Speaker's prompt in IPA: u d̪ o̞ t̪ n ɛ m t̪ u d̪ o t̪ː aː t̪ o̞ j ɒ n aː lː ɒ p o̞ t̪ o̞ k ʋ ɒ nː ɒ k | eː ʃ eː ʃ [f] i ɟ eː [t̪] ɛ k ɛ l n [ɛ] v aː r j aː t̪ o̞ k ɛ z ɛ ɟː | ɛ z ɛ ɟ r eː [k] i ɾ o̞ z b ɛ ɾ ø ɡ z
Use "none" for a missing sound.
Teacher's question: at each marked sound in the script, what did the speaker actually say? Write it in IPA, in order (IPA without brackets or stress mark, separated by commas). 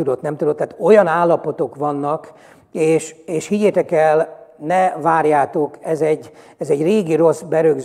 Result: h, t̪, ɛ, ɡ